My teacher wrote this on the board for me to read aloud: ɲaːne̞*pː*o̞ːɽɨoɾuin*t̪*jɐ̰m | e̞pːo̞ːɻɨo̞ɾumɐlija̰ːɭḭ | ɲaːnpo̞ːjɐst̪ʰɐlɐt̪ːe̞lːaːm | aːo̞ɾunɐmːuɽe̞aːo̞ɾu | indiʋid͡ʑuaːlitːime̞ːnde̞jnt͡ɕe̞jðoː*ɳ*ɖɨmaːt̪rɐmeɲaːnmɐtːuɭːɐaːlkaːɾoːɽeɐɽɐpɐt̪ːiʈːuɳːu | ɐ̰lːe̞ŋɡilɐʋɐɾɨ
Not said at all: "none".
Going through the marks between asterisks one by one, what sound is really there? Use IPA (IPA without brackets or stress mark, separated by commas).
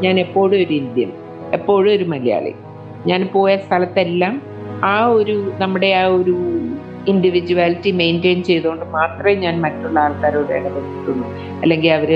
pː, d̪, ɳ